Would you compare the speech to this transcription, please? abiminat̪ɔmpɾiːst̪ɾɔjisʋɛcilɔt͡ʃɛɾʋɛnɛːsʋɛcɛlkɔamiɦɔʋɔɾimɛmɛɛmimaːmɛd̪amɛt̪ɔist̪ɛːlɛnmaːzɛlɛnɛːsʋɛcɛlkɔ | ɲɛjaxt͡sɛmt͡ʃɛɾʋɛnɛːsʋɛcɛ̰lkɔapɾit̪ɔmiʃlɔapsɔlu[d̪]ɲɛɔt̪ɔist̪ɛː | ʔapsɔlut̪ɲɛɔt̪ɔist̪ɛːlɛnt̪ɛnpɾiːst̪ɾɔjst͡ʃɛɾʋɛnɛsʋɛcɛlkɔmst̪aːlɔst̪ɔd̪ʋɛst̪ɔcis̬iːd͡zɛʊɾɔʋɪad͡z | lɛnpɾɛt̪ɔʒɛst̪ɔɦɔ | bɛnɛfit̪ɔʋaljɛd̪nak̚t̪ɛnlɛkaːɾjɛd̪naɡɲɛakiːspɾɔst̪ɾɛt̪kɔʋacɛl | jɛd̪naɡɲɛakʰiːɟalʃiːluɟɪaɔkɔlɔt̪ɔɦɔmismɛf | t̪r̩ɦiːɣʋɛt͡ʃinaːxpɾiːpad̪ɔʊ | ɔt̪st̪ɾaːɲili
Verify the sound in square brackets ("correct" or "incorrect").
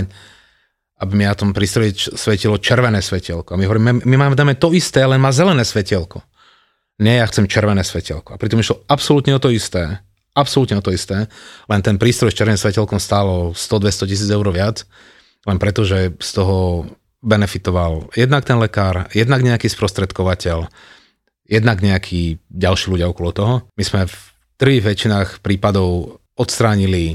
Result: incorrect